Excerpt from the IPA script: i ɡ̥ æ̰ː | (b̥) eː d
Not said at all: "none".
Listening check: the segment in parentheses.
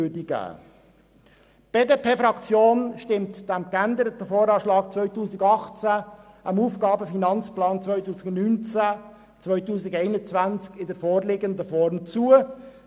b̥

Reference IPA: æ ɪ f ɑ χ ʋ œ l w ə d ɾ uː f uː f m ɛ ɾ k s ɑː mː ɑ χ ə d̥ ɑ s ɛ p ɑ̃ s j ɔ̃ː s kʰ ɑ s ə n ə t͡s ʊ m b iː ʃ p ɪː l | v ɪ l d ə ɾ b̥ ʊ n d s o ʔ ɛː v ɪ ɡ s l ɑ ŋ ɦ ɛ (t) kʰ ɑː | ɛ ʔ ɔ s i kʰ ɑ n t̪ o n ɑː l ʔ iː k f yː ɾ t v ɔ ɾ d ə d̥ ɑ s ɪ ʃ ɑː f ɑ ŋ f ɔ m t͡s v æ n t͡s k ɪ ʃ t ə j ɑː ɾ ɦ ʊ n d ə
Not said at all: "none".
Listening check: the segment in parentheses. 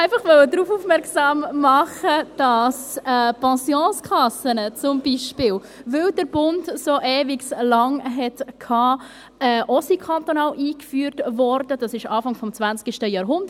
t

